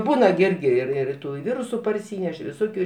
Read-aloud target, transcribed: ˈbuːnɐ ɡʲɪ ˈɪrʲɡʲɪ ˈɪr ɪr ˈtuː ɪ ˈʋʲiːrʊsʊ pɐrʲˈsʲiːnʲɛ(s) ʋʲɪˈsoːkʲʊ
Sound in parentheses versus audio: incorrect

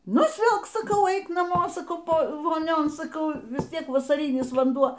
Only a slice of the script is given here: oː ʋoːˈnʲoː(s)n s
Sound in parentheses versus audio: incorrect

